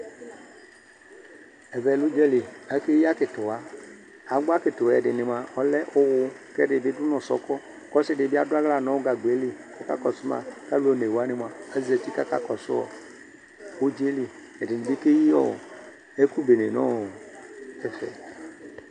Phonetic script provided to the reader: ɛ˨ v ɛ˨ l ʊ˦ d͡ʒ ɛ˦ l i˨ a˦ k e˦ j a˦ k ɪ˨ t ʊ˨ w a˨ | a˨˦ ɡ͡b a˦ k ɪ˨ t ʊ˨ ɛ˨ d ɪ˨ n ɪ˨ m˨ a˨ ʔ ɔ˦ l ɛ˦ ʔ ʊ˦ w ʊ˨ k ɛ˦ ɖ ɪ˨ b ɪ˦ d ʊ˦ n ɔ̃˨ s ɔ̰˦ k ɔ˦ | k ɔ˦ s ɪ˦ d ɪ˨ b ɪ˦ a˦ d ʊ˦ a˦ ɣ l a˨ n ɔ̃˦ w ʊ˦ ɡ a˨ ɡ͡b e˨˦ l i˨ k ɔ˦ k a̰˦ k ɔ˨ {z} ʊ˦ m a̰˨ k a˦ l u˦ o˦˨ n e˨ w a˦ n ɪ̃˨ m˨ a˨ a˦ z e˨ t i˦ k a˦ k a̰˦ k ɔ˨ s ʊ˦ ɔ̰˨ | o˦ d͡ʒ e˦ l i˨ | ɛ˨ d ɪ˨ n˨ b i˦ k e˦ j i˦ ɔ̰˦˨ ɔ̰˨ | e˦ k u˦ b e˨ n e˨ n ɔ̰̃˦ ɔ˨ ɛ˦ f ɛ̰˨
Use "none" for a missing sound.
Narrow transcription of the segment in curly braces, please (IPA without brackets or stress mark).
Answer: s